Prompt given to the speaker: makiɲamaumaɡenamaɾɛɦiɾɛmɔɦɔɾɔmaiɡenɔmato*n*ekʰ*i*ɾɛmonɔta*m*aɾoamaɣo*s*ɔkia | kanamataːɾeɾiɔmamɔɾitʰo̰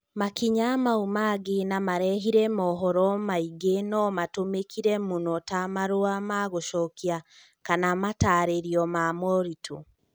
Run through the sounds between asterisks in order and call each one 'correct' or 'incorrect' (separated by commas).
incorrect, correct, correct, incorrect